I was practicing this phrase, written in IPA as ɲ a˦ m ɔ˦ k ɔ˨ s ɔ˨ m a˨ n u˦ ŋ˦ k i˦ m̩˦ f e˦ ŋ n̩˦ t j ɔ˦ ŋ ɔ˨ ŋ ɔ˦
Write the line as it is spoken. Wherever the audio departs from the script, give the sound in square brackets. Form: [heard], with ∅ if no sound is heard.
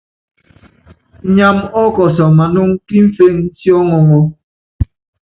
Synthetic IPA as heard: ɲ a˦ m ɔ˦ k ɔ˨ s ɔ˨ m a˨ n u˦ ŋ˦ k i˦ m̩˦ f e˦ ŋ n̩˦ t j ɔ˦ ŋ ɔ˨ ŋ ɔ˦